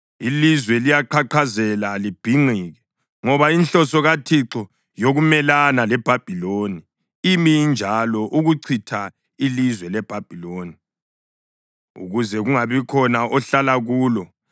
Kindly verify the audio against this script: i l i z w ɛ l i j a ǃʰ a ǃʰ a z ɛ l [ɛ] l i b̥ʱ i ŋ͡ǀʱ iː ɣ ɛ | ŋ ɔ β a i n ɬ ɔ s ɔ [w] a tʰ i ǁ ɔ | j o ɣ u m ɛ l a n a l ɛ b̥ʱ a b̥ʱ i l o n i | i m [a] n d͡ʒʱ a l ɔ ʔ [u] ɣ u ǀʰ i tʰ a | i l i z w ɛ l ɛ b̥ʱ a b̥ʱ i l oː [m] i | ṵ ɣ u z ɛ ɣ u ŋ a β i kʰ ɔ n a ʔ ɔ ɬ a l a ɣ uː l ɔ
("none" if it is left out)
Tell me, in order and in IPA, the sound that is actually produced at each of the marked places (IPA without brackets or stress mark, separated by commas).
a, ɣ, i, u, n